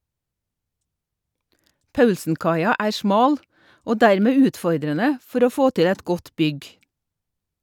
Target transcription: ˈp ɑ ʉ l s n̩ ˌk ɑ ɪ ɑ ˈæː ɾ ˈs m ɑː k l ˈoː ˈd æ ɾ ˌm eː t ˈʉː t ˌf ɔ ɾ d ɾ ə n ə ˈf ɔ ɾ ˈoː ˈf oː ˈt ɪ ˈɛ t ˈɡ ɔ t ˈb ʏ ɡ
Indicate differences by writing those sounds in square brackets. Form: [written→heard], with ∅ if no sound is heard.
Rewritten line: ˈp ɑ ʉ l s n̩ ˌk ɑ ɪ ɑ ˈæː ɾ ˈs m ɑː [k→∅] l ˈoː ˈd æ ɾ ˌm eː [t→∅] ˈʉː t ˌf ɔ ɾ d ɾ ə n ə ˈf ɔ ɾ ˈoː ˈf oː ˈt ɪ ˈɛ t ˈɡ ɔ t ˈb ʏ ɡ